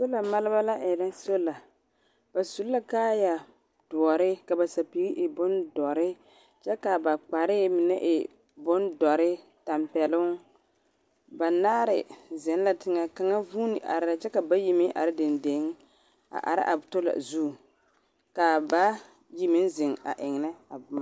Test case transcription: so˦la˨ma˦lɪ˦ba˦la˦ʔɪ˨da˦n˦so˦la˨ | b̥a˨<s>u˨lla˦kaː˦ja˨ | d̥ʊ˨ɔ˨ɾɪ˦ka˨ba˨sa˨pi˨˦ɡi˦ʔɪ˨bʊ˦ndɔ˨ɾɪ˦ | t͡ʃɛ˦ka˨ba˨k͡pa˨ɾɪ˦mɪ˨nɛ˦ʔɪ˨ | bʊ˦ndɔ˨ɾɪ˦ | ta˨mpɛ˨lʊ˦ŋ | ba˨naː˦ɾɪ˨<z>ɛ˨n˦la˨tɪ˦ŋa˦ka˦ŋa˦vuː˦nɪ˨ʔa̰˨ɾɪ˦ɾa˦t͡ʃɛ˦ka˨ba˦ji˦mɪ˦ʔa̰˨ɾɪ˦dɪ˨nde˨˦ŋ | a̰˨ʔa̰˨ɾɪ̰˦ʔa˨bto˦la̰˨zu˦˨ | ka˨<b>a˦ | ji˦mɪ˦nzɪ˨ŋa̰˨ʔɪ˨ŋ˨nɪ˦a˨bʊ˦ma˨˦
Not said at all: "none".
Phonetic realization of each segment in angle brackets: s, z, b

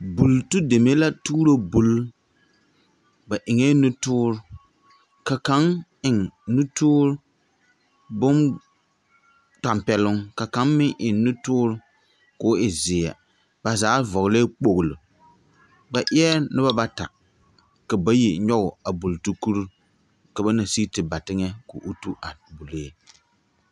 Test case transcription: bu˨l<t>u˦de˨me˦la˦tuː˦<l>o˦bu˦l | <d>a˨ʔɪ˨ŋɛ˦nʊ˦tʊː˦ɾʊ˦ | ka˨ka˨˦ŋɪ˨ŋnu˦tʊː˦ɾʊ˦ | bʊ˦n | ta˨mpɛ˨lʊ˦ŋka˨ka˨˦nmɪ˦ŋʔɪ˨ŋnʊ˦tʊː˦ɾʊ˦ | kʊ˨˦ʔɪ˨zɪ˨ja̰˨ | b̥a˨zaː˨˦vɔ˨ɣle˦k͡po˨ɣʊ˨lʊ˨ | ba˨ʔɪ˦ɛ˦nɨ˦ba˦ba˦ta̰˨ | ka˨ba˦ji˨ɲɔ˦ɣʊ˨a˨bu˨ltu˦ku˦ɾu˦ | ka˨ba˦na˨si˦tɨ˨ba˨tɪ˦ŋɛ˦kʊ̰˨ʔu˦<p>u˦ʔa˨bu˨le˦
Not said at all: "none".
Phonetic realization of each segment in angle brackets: t, ɾ, b, t

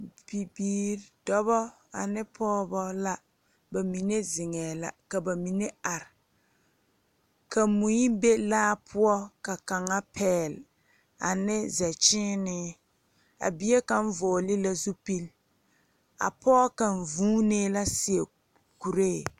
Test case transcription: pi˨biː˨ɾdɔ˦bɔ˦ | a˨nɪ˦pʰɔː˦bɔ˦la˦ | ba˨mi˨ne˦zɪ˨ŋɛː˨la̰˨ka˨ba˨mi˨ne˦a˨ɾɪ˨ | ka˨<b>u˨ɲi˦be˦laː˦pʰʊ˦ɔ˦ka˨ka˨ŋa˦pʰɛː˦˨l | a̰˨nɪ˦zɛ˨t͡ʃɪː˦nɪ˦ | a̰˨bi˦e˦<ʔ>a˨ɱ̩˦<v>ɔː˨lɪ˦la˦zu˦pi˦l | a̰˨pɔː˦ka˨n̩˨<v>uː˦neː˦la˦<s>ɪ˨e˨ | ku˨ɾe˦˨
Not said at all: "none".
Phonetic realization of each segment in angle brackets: m, k, v, v, s

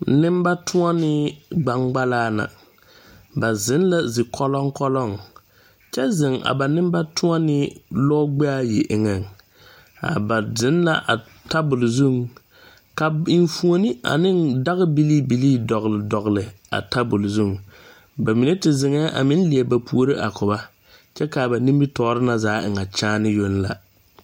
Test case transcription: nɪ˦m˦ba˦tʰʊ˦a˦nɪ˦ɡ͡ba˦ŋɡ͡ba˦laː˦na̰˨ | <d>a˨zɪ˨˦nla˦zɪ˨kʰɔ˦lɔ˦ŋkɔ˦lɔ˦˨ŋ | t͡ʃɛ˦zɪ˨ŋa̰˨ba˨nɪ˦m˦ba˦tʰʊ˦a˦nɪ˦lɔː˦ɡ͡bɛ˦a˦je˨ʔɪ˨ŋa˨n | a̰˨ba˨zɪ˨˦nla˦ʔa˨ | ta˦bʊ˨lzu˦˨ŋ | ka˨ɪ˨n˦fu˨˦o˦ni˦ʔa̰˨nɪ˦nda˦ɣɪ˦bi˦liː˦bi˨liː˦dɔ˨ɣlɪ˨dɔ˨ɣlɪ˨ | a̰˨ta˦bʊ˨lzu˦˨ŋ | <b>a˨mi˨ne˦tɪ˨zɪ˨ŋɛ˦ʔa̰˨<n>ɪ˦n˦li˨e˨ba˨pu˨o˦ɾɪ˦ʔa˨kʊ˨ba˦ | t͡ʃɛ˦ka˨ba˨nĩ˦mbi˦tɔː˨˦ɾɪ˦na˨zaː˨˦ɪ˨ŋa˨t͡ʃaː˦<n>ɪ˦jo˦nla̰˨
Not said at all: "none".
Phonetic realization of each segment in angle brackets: b, b, m, n

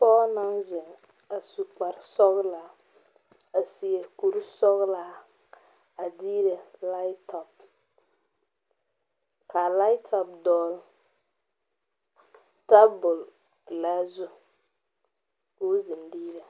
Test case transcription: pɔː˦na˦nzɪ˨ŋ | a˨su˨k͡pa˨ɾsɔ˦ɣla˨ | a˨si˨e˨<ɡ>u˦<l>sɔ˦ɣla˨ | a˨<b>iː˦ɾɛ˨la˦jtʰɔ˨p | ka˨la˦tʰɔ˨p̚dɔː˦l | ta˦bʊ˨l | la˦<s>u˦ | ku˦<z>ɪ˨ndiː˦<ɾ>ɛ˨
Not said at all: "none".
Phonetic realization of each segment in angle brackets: k, ɾ, d, z, z, ɾ

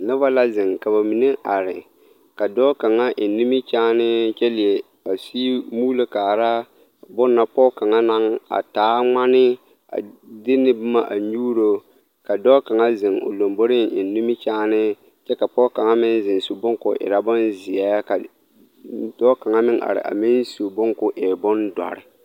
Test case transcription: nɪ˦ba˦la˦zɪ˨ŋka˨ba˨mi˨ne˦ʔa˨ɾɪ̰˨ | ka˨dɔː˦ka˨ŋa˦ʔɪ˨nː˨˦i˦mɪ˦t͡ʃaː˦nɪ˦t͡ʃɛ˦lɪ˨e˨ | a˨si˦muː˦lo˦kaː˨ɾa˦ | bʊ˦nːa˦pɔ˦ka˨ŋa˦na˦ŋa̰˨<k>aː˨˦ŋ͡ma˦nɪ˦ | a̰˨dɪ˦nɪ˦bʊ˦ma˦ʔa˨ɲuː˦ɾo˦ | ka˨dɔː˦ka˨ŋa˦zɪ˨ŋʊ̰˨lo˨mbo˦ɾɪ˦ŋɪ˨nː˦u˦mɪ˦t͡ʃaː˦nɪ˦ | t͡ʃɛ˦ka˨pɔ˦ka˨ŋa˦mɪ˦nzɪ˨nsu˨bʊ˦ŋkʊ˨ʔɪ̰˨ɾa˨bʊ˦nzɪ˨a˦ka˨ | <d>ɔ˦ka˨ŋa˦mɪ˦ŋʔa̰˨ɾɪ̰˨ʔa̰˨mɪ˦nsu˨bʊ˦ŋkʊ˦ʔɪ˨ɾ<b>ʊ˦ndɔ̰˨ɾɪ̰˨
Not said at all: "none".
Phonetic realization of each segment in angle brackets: t, d, b

